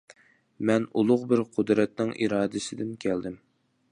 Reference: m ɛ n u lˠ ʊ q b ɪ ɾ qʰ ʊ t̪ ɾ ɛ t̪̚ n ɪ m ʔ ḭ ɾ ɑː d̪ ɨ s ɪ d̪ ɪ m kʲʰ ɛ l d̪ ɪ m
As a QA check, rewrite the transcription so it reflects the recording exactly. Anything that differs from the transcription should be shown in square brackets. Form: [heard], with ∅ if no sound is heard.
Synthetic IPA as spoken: m ɛ n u lˠ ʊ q b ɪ ɾ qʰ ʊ [d̪] ɾ ɛ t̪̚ n ɪ [ŋ] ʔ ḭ ɾ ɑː d̪ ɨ s ɪ d̪ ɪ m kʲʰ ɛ l d̪ ɪ m